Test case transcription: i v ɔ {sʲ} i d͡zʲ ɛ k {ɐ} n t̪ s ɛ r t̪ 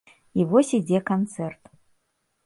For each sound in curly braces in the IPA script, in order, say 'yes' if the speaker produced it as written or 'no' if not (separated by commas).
yes, no